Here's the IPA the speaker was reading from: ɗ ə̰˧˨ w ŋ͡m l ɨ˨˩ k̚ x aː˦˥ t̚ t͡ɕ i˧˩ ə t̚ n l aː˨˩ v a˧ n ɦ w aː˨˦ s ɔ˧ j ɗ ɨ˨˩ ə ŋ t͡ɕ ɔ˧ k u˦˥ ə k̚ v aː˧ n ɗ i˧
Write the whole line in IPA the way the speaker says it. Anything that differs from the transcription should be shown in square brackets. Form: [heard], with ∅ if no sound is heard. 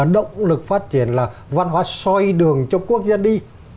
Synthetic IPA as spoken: ɗ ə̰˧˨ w ŋ͡m l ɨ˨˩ k̚ [f] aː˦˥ t̚ t͡ɕ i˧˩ ə [∅] n l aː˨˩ v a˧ n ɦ w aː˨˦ s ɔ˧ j ɗ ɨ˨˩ ə ŋ t͡ɕ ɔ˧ k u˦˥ ə k̚ [z] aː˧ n ɗ i˧